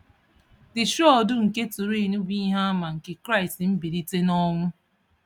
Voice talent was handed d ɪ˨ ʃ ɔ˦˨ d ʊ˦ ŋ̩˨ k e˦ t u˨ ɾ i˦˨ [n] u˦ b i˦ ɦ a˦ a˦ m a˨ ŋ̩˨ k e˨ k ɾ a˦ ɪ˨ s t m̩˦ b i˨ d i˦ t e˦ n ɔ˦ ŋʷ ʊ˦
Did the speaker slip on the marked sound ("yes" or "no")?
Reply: no